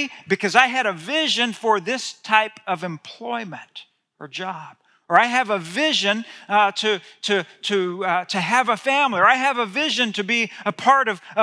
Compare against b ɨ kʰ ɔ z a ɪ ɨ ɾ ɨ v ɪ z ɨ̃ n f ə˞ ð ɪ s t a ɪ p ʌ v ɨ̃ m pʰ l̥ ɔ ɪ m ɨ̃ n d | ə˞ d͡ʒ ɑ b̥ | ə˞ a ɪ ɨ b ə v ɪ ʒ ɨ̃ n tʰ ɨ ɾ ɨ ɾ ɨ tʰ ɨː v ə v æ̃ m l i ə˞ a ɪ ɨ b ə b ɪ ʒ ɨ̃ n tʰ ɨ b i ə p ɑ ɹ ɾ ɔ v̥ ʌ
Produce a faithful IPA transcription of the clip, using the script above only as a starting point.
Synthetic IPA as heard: b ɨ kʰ ʌ z a ɪ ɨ ɾ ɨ v ɪ ʒ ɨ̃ n f ə˞ ð ɪ s tʰ a ɪ p ʌ v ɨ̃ m pʰ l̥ ɔ ɪ m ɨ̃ n t | ə˞ d͡ʒ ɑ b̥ | ə˞ a ɪ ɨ v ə v ɪ ʒ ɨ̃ n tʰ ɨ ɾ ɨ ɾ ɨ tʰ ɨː v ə f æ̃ m l i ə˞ a ɪ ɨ v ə v ɪ ʒ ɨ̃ n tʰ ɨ b i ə pʰ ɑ ɹ ɾ ʌ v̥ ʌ